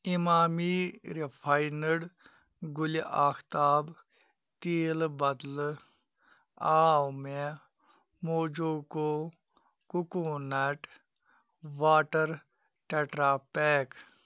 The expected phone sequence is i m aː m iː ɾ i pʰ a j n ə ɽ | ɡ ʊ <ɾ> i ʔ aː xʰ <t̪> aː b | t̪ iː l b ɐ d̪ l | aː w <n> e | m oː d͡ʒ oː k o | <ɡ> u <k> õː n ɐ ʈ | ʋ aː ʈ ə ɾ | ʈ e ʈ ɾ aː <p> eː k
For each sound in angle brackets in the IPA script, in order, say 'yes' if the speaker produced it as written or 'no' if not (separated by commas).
no, yes, no, no, yes, yes